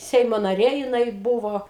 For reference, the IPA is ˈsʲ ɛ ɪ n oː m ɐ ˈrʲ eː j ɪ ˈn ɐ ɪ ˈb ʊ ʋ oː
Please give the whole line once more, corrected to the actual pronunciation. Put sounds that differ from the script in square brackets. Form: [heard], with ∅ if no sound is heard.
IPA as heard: ˈsʲ ɛ ɪ [m] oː [n] ɐ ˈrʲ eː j ɪ ˈn ɐ ɪ ˈb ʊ ʋ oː